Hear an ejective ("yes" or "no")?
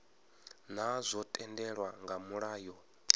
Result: yes